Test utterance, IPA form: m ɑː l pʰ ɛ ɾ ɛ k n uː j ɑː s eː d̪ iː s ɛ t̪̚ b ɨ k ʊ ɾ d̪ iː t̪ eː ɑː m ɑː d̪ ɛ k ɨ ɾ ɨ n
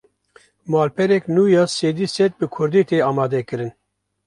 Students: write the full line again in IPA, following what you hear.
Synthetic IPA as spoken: m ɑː l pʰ ɛ ɾ ɛ k n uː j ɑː s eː d̪ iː s ɛ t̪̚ b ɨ kʰ ʊ ɾ d̪ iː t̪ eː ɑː m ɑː d̪ ɛ k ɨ ɾ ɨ n